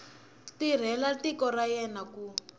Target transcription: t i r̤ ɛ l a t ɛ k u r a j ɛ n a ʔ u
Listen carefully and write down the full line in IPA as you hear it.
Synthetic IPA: t i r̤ ɛ l a t i k ɔ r a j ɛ n a k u